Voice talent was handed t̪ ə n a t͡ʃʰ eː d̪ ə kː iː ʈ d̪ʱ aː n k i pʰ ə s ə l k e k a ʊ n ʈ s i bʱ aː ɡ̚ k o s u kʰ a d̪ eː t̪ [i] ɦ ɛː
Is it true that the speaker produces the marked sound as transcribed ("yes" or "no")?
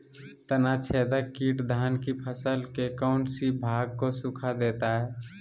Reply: no